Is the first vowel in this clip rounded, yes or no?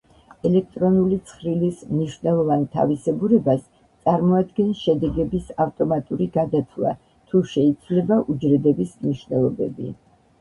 no